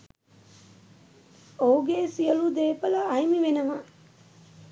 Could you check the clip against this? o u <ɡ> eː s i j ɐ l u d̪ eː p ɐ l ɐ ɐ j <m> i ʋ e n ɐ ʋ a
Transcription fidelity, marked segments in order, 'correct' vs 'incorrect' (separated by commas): correct, correct